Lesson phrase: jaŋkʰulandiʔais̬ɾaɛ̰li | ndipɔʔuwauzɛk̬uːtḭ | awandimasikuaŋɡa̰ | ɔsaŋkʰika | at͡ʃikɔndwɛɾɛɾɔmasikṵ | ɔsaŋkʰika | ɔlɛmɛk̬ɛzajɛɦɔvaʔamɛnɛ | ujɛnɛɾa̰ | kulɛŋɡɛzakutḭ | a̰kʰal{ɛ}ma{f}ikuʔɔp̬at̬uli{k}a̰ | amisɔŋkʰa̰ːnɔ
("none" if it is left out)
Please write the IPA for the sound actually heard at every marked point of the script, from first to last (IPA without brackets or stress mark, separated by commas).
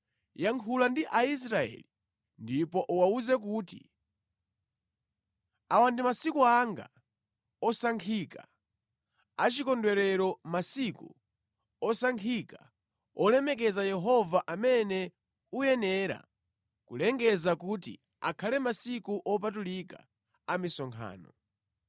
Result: ɛ, s, k